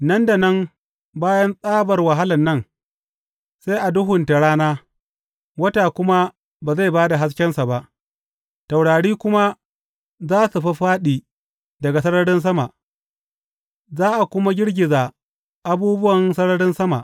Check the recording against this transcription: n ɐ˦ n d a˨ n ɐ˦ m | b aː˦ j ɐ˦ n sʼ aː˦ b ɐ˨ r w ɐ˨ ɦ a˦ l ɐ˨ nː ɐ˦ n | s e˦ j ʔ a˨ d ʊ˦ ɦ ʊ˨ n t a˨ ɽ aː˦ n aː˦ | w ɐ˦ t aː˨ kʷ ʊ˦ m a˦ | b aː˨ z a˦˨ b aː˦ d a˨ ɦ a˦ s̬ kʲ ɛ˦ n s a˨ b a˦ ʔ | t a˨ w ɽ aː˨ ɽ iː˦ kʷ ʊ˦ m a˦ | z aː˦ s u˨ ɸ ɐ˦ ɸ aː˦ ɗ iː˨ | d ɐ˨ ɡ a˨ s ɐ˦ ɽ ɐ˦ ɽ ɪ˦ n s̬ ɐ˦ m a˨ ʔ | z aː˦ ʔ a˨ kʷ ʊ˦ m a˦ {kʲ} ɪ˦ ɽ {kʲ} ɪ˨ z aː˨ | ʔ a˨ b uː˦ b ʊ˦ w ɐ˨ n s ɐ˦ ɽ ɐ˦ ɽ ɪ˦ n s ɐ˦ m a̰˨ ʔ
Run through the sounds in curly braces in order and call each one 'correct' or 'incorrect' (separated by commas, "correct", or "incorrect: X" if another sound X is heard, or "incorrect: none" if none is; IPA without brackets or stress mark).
incorrect: ɡʲ, incorrect: ɡʲ